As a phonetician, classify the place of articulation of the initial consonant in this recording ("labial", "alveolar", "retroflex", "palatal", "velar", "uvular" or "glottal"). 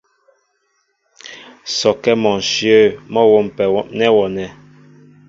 alveolar